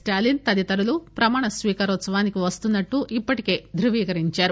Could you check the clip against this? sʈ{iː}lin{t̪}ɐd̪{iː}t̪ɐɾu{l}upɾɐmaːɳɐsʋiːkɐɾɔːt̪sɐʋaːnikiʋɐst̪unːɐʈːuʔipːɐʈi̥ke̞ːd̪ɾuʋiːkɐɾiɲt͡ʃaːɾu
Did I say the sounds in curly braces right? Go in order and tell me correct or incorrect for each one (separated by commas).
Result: incorrect, correct, incorrect, correct